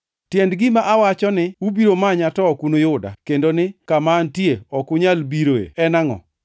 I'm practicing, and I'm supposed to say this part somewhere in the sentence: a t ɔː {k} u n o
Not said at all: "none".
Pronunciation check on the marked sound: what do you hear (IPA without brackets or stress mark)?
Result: k